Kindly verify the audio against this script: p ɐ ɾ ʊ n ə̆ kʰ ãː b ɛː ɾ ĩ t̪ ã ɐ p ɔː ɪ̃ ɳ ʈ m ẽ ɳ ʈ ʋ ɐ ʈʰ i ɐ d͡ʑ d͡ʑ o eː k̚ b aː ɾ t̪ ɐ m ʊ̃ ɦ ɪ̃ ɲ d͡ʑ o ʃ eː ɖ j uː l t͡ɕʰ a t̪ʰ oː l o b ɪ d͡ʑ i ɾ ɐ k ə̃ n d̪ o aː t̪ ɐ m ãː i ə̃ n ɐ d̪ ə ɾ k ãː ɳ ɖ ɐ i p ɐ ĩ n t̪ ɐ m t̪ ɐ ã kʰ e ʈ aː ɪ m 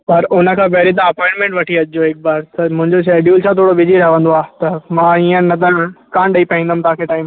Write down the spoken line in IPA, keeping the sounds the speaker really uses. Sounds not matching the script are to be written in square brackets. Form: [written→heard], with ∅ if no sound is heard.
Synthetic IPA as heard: p ɐ ɾ ʊ n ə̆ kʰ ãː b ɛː ɾ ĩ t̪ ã ɐ p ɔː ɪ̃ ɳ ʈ m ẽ ɳ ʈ ʋ ɐ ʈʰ i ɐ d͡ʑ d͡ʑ o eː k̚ b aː ɾ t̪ ɐ m ʊ̃ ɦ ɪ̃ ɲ d͡ʑ o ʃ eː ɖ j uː l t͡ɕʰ a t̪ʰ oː [l→ɽ] o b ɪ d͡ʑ i ɾ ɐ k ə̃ n d̪ o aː t̪ ɐ m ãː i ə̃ n ɐ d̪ ə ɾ k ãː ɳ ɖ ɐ i p ɐ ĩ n [t̪→d̪] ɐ m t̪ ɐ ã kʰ e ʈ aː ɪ m

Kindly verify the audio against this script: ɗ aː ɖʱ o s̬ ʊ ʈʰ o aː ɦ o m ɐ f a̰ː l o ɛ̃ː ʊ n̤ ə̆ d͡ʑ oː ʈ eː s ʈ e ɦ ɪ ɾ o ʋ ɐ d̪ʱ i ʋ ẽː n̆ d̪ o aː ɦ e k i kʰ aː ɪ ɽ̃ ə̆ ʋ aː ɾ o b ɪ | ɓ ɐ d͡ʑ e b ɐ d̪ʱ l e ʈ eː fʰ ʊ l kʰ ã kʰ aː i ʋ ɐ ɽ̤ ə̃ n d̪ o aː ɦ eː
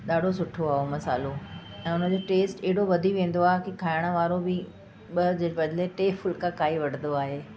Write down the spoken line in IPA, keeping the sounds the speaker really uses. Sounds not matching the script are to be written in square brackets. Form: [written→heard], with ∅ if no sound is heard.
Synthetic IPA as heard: ɗ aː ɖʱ o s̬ ʊ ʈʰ o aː ɦ o m ɐ [f→s] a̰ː l o ɛ̃ː ʊ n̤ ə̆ d͡ʑ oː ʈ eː s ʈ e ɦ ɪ [ɾ→ɽ] o ʋ ɐ d̪ʱ i ʋ ẽː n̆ d̪ o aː ɦ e k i kʰ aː ɪ ɽ̃ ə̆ ʋ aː ɾ o b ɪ | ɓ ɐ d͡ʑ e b ɐ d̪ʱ l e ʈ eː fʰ ʊ l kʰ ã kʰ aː i ʋ ɐ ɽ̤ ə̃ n d̪ o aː ɦ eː

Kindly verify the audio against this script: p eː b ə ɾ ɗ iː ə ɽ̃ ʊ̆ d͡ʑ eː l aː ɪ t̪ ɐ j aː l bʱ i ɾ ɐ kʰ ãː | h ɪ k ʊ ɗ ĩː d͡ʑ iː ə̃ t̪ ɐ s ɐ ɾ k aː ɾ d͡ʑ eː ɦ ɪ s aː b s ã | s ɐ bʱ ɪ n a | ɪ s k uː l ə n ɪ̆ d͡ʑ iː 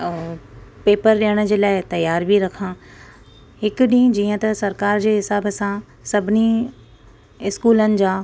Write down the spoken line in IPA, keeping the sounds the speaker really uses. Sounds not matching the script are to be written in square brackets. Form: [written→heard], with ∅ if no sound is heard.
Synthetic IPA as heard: p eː [b→p] ə ɾ ɗ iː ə ɽ̃ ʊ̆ d͡ʑ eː l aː ɪ t̪ ɐ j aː [l→ɾ] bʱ i ɾ ɐ kʰ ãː | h ɪ k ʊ ɗ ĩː d͡ʑ iː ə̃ t̪ ɐ s ɐ ɾ k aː ɾ d͡ʑ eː ɦ ɪ s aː b s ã | s ɐ bʱ ɪ n [a→i] | ɪ s k uː l ə n ɪ̆ d͡ʑ [iː→aː]

